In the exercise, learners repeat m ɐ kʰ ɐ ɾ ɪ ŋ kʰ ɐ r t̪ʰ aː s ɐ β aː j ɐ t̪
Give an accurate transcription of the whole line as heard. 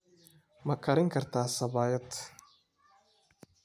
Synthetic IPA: m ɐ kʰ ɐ ɾ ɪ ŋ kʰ ɐ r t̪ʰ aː s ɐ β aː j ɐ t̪

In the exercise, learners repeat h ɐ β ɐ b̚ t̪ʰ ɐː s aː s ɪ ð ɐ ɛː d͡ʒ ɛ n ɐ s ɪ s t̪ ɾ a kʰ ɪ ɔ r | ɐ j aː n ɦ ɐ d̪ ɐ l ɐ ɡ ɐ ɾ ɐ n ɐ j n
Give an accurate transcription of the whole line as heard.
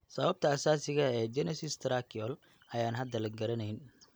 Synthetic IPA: s ɐ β ɐ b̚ t̪ʰ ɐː s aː s ɪ ɣ ɐ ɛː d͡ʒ ɛ n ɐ s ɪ s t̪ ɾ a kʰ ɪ ɔ l | ɐ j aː n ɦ ɐ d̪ ɐ l ɐ ɡ ɐ ɾ ɐ n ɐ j n

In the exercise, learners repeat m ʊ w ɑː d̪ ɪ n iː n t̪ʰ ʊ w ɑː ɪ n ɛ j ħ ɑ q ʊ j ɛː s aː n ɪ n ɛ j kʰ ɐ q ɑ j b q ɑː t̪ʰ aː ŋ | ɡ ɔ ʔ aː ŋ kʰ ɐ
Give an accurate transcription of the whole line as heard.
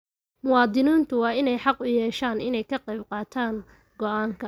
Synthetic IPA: m ʊ w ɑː d̪ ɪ n iː n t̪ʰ ʊ w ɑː ɪ n ɛ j ħ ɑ q ʊ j ɛː ʃ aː n ɪ n ɛ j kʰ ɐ q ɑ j b q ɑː t̪ʰ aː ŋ | ɡ ɔ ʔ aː ŋ kʰ ɐ

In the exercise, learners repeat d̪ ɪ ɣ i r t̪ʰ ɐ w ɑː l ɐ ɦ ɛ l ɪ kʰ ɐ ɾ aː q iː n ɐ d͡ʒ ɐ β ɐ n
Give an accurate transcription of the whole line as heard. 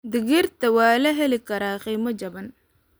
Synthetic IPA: d̪ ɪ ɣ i r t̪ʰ ɐ w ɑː l ɐ ɦ ɛ l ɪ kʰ ɐ ɾ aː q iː m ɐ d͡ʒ ɐ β ɐ n

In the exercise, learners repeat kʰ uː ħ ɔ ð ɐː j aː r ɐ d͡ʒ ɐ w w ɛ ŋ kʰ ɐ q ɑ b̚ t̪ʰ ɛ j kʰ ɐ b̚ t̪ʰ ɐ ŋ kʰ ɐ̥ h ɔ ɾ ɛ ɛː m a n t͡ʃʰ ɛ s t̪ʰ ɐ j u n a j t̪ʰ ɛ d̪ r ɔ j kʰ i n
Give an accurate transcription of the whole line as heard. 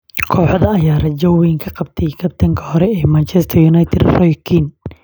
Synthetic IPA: kʰ ɔː ħ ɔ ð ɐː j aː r ɐ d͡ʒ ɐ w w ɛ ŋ kʰ ɐ q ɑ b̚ t̪ʰ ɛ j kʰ ɐ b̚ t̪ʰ ɐ ŋ kʰ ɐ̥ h ɔ ɾ ɛ ɛː m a n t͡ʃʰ ɛ s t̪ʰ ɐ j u n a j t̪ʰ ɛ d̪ r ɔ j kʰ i n

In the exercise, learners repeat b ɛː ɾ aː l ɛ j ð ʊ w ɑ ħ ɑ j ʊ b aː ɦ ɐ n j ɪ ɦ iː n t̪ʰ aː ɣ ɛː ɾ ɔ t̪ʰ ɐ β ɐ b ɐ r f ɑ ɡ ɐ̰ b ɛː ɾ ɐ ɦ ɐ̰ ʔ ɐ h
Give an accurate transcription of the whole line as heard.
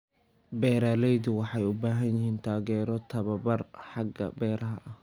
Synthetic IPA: b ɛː ɾ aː l ɛ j ð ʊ w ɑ ħ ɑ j ʊ b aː ɦ ɐ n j ɪ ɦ iː n t̪ʰ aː ɣ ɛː ɾ ɔ t̪ʰ ɐ β ɐ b ɐ r ħ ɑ ɡ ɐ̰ b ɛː ɾ ɐ ɦ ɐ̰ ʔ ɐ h

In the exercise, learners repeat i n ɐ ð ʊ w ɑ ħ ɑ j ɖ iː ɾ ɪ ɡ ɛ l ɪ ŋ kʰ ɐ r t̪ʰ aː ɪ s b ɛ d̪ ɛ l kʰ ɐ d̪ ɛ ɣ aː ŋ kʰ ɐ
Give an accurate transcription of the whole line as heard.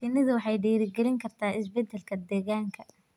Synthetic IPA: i n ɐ ð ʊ w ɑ ħ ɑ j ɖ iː ɾ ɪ ɡ ɛ l ɪ ŋ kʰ ɐ r t̪ʰ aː ɪ s b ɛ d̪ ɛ l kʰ ɐ d̪ ɛː ɣ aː ŋ kʰ ɐ

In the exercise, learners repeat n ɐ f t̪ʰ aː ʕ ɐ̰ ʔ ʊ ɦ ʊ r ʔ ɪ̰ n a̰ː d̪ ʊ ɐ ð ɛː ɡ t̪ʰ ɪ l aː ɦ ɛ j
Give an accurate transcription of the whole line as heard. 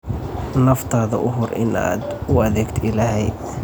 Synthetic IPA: n ɐ f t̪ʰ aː ð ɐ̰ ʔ ʊ ɦ ʊ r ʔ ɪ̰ n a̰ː d̪ ʊ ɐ ð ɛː ɡ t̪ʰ ɪ l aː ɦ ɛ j

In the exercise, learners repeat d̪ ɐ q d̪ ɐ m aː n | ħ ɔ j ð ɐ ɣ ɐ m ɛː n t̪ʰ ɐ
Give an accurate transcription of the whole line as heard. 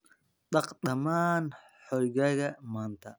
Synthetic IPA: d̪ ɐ q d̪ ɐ m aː n | ħ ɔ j ɣ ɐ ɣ ɐ m aː n t̪ʰ ɐ

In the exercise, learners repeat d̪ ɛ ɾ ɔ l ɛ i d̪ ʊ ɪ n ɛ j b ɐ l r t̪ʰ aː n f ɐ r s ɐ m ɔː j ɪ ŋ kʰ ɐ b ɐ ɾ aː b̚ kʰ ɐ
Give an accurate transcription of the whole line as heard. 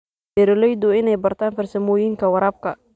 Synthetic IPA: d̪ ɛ ɾ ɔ l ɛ j d̪ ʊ ɪ n ɛ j b ɐ r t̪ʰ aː n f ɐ r s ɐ m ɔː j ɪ ŋ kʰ ɐ w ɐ ɾ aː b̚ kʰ ɐ

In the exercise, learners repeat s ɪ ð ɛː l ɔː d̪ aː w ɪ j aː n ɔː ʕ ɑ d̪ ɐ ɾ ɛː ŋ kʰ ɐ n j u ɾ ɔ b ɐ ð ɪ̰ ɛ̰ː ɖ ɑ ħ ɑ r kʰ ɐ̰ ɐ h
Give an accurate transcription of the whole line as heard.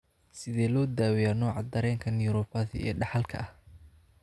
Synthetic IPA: s ɪ ð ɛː l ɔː d̪ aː w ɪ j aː n ɔː ʕ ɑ d̪ ɐ ɾ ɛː ŋ kʰ ɐ n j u ɾ ɔ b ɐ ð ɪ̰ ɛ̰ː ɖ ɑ ħ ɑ l kʰ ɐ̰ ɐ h

